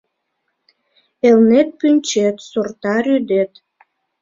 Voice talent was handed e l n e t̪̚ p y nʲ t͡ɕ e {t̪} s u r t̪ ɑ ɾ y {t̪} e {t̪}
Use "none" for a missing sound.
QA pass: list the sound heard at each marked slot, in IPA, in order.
t̪, d̪, t̪

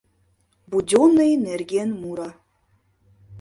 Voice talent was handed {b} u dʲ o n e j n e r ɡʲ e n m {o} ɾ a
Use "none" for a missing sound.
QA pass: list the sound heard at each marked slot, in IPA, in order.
b, u

